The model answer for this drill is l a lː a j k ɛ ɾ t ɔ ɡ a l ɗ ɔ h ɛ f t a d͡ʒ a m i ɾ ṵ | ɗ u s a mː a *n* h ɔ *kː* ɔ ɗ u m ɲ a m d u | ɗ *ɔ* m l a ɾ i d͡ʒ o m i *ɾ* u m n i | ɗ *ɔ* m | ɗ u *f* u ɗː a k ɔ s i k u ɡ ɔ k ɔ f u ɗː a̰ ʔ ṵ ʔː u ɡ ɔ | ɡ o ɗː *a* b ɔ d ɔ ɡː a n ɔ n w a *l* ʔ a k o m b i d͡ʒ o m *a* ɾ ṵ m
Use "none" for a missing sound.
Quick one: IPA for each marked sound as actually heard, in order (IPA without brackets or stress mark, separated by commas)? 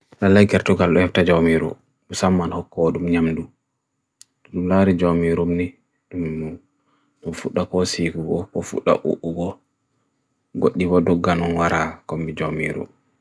n, kː, u, ɾ, u, f, i, ɾ, i